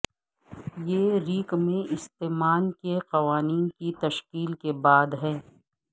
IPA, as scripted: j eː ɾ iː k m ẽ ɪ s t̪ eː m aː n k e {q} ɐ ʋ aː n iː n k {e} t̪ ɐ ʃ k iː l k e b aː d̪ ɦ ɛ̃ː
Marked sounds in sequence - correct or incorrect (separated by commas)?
correct, incorrect